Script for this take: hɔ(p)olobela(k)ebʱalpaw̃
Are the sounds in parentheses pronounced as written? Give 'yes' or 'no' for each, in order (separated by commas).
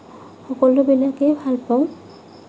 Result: no, yes